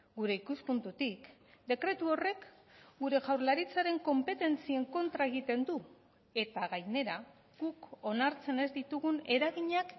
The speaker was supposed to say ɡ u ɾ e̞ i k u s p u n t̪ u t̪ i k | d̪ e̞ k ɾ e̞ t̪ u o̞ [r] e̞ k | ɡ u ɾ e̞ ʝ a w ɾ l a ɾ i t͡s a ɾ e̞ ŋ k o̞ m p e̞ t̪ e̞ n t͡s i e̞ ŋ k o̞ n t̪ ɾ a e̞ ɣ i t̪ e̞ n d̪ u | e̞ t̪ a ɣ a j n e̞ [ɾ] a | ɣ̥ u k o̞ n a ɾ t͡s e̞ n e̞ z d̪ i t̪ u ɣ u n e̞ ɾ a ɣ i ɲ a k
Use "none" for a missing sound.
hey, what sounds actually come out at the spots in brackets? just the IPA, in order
r, ɾ

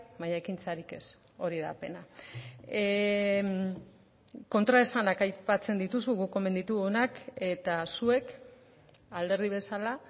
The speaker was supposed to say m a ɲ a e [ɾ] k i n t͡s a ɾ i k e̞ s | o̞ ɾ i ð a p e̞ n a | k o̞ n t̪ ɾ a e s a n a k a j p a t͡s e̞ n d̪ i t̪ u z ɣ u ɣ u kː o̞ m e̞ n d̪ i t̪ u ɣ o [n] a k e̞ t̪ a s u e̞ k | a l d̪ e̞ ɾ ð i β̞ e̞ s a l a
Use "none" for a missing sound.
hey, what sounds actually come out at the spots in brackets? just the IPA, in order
none, n

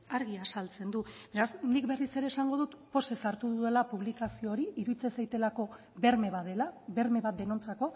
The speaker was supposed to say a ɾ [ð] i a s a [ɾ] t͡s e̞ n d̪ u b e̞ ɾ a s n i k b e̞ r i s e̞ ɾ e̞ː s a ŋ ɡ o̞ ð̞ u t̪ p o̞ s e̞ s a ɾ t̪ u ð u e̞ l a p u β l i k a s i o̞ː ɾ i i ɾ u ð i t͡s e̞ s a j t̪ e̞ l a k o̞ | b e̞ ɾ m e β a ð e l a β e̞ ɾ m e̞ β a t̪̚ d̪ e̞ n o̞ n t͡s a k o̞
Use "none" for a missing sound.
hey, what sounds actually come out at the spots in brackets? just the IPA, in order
ɣ, l

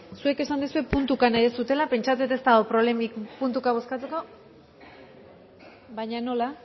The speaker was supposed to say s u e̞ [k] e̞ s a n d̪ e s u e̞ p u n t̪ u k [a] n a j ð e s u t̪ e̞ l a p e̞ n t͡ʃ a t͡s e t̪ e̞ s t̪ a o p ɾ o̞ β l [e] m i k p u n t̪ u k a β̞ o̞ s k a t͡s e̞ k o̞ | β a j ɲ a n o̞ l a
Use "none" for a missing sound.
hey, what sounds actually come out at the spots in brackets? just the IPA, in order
k, a, e

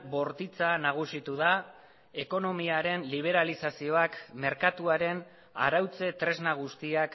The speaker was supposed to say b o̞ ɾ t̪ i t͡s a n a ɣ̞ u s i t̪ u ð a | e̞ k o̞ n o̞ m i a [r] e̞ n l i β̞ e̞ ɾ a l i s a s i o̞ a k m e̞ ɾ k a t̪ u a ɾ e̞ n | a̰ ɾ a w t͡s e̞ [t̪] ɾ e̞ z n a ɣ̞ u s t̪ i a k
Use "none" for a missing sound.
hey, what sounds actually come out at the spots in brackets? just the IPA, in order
ɾ, t̪

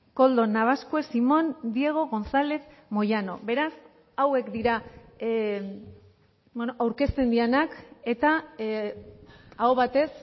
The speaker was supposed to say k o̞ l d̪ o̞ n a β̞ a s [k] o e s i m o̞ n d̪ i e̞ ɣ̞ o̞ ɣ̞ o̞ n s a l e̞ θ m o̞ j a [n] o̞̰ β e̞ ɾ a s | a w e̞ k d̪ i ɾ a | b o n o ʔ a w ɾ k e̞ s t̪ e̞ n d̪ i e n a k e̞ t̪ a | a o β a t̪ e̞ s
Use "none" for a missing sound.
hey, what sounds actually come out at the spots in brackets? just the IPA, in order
k, n

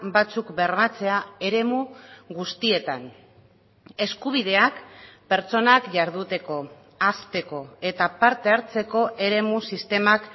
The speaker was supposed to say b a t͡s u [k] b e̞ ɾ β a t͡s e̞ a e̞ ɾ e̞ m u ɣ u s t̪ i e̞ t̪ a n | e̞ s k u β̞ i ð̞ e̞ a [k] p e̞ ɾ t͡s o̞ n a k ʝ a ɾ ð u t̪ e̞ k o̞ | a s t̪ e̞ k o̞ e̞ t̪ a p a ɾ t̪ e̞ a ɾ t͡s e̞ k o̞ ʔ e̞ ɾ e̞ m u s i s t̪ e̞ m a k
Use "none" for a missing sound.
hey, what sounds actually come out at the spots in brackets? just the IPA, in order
k, k

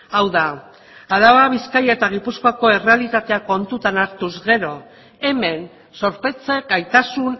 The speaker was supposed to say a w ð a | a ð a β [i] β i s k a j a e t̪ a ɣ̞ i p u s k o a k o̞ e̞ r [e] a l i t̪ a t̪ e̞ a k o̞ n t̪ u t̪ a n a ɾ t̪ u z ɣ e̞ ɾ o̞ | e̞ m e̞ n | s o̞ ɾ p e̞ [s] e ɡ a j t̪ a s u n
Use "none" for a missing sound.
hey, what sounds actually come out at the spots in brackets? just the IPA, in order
a, e, t͡s

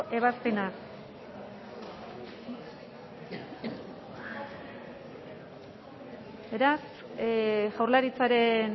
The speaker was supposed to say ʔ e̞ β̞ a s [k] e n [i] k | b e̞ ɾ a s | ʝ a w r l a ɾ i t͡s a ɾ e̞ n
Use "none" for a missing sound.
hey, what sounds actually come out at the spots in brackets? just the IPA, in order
p, a

